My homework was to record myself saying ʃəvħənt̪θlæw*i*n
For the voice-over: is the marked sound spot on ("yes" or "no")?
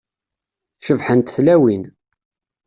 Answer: yes